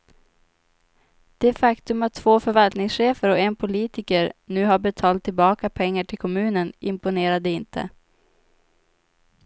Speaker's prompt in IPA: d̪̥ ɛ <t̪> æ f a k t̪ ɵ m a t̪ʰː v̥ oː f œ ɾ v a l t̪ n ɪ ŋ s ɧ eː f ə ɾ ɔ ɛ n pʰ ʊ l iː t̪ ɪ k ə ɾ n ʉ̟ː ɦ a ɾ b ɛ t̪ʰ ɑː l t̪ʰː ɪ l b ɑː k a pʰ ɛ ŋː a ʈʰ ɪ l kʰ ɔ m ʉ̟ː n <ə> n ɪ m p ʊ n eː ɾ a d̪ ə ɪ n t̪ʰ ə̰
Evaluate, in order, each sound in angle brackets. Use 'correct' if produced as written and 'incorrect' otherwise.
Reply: incorrect, correct

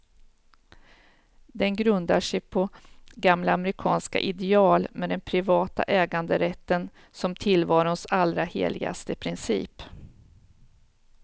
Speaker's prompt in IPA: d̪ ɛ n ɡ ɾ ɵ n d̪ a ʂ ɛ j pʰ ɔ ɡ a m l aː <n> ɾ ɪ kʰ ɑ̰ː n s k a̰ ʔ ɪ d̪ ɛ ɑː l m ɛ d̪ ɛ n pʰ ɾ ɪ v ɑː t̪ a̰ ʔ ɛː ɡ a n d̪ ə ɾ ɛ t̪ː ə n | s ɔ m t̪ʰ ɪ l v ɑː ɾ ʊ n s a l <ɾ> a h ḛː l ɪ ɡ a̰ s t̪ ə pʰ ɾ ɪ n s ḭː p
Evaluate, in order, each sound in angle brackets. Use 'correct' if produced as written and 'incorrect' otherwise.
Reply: incorrect, correct

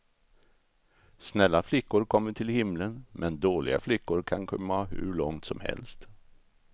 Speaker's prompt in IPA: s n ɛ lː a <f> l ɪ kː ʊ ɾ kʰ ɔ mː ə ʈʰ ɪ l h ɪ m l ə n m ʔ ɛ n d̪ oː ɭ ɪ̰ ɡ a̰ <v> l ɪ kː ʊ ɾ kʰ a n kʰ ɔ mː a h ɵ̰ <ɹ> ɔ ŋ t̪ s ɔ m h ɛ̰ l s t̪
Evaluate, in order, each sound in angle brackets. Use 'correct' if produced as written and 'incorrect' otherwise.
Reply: correct, incorrect, incorrect

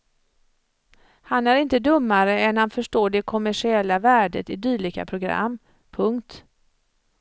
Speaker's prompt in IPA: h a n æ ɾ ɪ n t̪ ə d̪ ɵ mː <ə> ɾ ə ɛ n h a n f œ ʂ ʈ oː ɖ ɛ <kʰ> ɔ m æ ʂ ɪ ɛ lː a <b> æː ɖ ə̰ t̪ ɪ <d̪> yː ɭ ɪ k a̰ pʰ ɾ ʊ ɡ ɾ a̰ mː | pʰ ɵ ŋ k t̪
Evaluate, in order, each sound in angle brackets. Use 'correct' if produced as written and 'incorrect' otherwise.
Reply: incorrect, correct, incorrect, correct

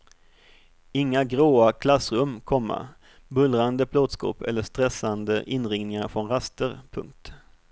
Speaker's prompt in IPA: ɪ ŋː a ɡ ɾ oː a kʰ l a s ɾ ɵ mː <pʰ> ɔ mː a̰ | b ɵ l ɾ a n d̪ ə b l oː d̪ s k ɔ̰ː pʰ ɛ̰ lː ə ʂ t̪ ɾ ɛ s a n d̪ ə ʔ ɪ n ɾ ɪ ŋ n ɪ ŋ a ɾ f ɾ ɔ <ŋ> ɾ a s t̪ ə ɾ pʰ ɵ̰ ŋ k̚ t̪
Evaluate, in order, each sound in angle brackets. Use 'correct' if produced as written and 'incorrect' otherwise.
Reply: incorrect, incorrect

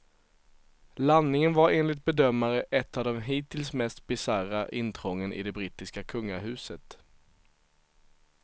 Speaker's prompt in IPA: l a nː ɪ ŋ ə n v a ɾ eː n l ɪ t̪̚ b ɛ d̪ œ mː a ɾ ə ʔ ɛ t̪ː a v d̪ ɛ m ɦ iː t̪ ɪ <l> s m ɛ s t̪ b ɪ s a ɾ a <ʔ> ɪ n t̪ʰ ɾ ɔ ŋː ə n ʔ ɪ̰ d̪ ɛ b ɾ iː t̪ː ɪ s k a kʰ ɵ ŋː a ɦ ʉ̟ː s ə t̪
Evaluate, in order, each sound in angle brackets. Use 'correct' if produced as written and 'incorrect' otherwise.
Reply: correct, correct

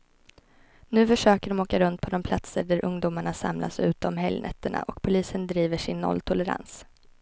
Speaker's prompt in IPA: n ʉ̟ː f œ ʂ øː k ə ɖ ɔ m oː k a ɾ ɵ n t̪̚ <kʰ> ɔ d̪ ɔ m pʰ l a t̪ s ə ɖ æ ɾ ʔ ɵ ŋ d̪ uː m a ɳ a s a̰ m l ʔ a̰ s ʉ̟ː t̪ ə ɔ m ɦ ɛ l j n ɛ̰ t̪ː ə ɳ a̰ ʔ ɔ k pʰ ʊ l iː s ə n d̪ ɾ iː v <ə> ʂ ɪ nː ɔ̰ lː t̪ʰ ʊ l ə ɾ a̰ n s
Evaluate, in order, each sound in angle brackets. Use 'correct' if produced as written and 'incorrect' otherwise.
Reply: incorrect, correct

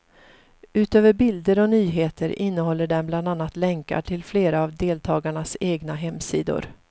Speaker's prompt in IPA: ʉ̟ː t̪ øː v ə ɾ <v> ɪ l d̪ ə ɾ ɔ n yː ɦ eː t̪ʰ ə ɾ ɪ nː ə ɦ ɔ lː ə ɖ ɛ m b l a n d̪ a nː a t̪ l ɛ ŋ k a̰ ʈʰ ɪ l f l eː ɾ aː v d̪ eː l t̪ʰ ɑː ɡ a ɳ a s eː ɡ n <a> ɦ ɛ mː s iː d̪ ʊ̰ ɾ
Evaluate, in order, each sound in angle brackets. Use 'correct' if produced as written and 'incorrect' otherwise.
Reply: incorrect, correct

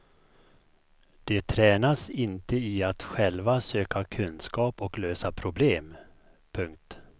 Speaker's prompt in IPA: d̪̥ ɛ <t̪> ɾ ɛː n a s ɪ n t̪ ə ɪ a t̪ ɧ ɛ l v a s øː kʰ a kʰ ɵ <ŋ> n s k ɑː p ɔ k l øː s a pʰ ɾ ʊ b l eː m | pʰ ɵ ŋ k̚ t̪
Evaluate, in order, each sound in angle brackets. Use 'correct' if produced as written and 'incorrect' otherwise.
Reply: incorrect, incorrect

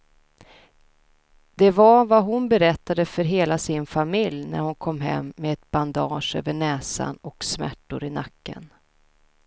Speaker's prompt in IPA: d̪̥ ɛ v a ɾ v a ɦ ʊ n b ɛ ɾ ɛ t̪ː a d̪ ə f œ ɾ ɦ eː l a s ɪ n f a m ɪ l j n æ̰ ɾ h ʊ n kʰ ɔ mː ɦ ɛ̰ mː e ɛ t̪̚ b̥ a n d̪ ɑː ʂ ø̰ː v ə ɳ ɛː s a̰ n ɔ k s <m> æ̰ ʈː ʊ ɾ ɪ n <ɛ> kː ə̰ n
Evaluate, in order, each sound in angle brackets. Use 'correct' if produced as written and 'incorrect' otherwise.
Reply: correct, incorrect

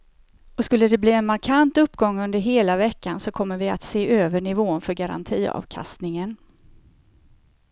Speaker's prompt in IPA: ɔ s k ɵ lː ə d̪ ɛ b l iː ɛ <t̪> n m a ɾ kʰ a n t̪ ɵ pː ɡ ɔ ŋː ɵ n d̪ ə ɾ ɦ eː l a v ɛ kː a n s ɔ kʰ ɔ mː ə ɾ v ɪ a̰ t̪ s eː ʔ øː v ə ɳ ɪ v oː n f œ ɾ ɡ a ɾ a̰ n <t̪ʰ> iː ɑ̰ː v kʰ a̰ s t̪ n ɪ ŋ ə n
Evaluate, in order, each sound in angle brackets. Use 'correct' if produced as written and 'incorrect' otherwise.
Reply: incorrect, correct

